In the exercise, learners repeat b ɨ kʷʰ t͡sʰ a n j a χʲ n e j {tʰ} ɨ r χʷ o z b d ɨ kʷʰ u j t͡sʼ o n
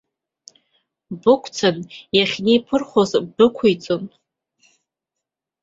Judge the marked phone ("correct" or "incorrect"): incorrect